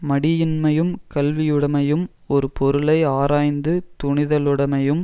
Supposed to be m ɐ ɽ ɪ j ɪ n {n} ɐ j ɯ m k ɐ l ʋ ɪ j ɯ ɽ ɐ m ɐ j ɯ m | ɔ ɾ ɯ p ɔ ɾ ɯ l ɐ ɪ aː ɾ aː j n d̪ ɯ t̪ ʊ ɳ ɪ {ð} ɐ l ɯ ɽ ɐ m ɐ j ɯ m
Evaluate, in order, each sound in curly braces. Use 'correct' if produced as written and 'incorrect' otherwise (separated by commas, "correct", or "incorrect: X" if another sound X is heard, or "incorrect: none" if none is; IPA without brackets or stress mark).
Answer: incorrect: m, correct